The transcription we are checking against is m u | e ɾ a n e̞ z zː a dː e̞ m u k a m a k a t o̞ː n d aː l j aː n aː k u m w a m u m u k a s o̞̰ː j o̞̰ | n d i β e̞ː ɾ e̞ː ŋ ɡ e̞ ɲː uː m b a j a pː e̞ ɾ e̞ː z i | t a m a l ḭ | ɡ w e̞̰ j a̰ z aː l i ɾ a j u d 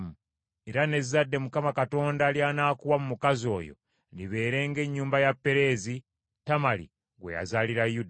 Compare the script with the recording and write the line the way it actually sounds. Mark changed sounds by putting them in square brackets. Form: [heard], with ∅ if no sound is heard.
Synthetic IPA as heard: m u | e ɾ a n e̞ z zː a dː e̞ m u k a m a k a t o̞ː n d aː l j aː n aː k u [∅] w a m u m u k a [z] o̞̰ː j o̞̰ | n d i β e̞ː ɾ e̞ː ŋ ɡ e̞ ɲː uː m b a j a pː e̞ ɾ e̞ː z i | t a m a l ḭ | ɡ w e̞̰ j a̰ z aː l i ɾ a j u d